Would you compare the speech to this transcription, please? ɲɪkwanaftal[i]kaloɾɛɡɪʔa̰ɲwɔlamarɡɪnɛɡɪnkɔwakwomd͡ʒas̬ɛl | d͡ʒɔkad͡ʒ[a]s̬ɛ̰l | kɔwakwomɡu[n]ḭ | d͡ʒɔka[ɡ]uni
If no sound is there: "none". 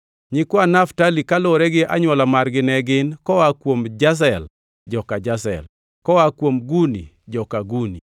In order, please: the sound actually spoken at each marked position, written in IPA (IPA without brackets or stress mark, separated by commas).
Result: i, a, n, ɡ